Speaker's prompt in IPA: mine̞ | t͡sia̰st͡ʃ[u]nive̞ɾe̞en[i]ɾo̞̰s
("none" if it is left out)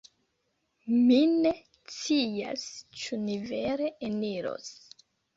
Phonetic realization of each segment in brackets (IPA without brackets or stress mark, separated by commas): u, i